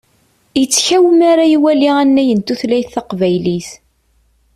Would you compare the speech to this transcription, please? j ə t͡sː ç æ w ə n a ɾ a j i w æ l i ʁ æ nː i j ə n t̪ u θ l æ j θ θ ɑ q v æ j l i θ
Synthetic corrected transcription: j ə t͡sː ç æ w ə m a ɾ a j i w æ l i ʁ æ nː æ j ə n t̪ u θ l æ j θ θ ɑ q v æ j l i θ